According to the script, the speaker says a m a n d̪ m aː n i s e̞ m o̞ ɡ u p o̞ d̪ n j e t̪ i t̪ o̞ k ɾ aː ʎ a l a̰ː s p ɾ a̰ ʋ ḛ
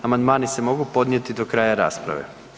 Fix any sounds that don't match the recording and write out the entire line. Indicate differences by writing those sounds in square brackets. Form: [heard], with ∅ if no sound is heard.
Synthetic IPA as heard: a m a n d̪ m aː n i s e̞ m o̞ ɡ u p o̞ d̪ n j e t̪ i [d̪] o̞ k ɾ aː [j] a [ɾ] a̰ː s p ɾ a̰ ʋ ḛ